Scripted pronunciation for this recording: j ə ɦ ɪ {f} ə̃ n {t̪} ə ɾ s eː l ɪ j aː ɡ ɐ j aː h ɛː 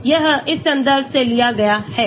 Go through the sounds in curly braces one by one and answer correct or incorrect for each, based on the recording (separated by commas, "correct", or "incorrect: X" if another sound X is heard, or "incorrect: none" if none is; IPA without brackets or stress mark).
incorrect: s, incorrect: d̪